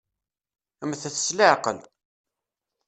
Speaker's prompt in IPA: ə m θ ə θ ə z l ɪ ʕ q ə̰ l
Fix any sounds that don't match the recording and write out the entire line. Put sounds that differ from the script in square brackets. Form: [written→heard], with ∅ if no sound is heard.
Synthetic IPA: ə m θ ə θ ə [z→s] l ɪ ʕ q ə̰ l

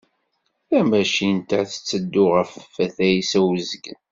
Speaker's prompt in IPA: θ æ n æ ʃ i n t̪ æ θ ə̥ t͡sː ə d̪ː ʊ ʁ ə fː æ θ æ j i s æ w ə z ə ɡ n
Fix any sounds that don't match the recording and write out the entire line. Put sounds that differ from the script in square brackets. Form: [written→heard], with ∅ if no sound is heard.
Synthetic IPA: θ æ [n→m] æ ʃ i n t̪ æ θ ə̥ t͡sː ə d̪ː ʊ ʁ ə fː æ θ æ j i s æ w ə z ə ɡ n

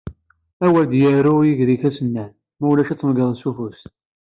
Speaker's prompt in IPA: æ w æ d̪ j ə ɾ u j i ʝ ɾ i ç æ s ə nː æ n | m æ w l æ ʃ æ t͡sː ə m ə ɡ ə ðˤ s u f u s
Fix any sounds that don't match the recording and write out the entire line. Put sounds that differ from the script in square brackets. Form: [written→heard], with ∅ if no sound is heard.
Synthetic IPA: æ w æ d̪ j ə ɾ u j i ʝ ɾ i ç æ s ə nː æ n | m æ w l æ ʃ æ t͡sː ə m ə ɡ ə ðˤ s u f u s

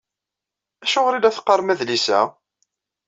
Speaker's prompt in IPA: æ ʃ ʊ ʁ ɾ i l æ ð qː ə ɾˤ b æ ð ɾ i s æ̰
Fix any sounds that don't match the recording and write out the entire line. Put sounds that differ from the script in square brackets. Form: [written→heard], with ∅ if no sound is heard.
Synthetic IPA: æ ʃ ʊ ʁ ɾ i l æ [ð→θ] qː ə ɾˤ [b→m] æ ð [ɾ→l] i s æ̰

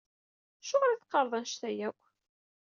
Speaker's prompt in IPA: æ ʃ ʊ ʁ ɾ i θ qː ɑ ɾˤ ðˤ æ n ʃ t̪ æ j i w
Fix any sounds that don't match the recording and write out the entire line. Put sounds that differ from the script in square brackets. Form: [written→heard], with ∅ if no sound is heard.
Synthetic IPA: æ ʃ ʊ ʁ ɾ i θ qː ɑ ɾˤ ðˤ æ n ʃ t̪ æ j [i→æ] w

